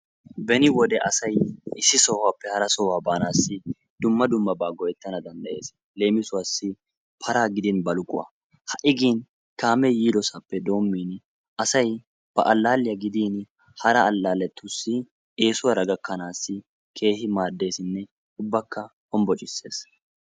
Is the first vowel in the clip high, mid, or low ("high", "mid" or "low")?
mid